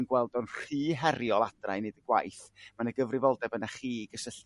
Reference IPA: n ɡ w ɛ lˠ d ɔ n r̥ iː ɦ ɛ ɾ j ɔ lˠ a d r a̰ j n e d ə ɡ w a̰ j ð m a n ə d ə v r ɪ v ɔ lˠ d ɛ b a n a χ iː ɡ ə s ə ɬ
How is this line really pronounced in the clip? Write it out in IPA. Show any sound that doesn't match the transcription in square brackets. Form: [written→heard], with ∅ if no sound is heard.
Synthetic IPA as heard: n ɡ w ɛ lˠ d ɔ n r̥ iː ɦ ɛ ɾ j ɔ lˠ a d r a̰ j n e d ə ɡ w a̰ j [ð→θ] m a n ə [d→ɡ] ə v r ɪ v ɔ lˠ d ɛ b [a→ə] n a χ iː ɡ ə s ə ɬ